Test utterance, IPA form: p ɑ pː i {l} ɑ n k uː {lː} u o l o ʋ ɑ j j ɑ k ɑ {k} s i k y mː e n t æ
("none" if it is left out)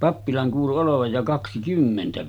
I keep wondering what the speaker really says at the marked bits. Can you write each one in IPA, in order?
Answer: l, l, k

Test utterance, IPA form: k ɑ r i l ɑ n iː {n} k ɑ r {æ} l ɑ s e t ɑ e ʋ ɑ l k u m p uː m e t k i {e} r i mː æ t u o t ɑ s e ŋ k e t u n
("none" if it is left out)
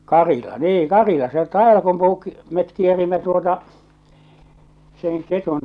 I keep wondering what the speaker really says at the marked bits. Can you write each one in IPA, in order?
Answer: ŋ, i, e

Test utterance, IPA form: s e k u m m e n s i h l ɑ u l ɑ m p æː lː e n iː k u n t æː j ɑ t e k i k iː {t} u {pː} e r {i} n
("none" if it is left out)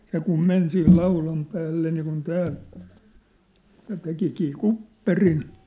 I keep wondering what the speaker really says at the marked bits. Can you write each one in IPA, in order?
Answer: k, pː, i

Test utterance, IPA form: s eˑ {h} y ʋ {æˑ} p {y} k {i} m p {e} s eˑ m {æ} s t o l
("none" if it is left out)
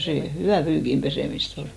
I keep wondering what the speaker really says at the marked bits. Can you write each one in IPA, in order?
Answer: h, æˑ, yː, i, e, i

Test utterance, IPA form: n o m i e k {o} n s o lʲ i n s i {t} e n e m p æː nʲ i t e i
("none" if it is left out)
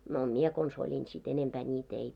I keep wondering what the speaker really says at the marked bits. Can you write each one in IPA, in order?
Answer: o, t

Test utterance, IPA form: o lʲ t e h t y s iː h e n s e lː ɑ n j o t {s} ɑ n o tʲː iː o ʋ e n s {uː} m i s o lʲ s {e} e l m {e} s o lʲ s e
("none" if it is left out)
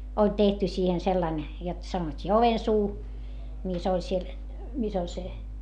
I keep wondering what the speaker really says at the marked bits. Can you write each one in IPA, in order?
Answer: s, uː, i, i

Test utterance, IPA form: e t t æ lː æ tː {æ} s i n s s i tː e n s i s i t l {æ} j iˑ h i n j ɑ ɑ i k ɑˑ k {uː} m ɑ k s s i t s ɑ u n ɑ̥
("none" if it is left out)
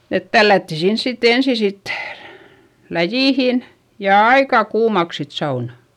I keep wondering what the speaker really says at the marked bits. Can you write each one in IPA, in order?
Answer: i, æ, uː

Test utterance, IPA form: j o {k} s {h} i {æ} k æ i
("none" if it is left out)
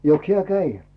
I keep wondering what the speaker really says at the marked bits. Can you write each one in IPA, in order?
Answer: k, h, æ

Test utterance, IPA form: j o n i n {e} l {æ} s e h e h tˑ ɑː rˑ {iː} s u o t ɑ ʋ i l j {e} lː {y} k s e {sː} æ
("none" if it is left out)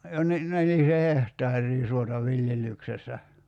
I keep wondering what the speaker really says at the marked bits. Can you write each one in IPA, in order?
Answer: e, i, iː, e, y, sː

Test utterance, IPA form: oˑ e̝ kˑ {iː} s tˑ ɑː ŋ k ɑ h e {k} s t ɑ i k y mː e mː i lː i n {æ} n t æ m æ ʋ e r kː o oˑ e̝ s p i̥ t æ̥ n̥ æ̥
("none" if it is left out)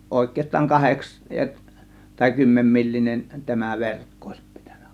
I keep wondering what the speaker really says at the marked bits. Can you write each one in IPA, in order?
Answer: eː, k, e

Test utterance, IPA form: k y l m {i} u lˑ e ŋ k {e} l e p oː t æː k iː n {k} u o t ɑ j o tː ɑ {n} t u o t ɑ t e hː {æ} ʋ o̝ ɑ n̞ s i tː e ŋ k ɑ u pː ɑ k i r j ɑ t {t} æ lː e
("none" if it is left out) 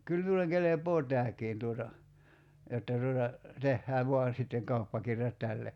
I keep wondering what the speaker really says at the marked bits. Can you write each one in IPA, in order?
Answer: i, e, t, none, æː, t

